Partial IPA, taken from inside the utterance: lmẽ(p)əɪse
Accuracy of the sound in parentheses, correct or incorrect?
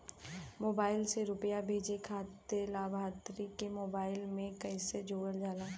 incorrect